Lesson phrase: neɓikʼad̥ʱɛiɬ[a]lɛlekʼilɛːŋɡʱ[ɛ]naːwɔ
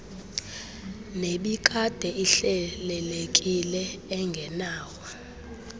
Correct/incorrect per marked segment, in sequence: incorrect, correct

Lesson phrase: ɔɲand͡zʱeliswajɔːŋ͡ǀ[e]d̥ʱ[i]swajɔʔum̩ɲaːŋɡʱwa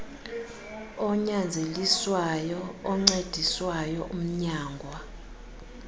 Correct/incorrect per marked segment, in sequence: correct, correct

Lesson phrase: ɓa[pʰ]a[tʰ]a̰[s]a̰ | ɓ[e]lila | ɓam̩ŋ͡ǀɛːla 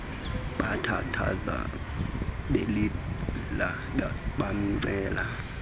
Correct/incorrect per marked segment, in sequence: incorrect, correct, incorrect, correct

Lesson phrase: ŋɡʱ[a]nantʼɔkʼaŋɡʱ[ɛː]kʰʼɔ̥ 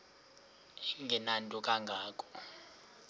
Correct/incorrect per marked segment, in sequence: incorrect, incorrect

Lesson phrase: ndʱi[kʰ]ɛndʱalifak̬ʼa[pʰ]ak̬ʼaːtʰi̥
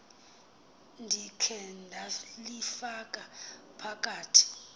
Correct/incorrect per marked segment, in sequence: correct, correct

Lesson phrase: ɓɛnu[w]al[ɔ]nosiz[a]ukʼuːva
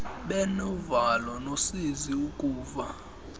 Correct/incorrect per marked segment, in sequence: incorrect, correct, incorrect

